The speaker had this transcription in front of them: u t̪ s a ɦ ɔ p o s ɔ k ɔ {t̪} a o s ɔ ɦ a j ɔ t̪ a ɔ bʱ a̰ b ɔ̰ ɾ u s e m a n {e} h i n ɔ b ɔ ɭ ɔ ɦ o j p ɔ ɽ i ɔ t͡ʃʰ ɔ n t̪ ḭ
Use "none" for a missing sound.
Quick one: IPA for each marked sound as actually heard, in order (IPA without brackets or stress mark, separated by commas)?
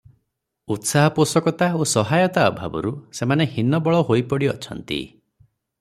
t̪, e